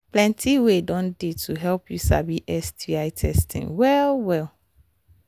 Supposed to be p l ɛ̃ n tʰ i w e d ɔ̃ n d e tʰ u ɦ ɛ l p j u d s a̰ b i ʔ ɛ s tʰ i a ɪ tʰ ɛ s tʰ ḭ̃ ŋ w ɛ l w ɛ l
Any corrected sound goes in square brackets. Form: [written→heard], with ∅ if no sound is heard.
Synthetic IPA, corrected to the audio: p l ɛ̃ n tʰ i w e d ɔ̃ n d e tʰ u ɦ ɛ l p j u [d→∅] s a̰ b i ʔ ɛ s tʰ i a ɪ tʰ ɛ s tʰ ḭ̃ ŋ w ɛ l w ɛ l